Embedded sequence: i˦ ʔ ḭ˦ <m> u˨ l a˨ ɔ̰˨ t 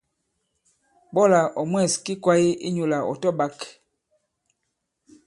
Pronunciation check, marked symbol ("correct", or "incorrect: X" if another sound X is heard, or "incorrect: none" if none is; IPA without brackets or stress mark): incorrect: ɲ